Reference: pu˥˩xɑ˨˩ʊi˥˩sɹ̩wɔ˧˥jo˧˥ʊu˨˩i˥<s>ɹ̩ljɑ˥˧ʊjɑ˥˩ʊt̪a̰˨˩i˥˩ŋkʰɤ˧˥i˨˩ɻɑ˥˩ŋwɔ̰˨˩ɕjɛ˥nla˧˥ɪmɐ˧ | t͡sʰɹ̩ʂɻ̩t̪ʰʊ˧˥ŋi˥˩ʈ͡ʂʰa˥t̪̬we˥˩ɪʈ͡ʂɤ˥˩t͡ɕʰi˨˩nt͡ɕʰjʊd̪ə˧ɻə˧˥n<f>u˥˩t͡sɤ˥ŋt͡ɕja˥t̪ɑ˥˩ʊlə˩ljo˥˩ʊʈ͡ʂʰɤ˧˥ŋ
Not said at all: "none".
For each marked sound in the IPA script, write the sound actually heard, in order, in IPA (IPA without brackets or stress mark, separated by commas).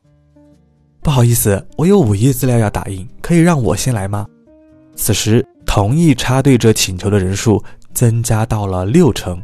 t͡s, ʂ